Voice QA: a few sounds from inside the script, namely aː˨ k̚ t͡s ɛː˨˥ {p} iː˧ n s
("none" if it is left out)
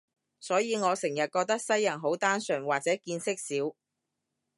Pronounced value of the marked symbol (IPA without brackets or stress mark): k